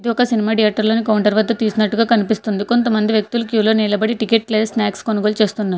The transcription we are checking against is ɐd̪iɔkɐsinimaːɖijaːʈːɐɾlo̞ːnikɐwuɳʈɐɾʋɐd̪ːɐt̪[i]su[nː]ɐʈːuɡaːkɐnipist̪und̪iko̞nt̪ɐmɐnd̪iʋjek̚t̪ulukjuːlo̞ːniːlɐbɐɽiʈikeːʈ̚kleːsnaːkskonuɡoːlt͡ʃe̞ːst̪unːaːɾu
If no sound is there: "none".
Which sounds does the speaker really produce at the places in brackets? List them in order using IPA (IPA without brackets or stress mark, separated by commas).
iː, n